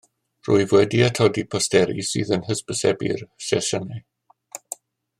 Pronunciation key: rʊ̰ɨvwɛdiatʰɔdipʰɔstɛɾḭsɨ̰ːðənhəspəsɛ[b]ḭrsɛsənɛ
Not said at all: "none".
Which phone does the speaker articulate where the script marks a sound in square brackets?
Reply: b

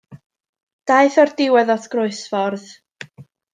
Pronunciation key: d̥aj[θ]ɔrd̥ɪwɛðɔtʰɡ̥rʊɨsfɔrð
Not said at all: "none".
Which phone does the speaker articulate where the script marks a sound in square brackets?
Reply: θ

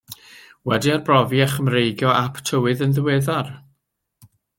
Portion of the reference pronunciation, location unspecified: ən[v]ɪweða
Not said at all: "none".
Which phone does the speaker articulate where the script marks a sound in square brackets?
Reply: ð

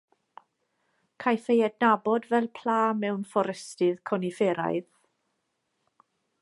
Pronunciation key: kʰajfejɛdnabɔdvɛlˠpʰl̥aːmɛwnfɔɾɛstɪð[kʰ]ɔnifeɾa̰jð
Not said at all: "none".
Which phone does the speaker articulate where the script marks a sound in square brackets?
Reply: kʰ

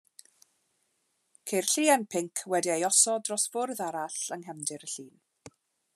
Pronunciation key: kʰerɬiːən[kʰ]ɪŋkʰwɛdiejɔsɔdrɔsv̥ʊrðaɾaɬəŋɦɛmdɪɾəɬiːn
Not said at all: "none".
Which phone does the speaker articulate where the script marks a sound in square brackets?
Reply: pʰ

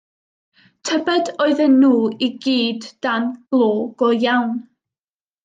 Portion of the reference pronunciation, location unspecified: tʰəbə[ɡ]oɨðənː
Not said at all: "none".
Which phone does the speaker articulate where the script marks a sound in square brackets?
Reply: d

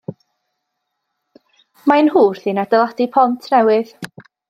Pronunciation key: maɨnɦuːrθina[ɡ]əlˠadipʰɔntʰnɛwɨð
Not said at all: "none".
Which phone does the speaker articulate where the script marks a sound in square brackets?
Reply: d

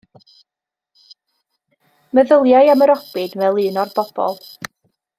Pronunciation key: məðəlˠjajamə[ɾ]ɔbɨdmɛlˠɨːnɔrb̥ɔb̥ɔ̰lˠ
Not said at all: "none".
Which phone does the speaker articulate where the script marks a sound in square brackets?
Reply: ɾ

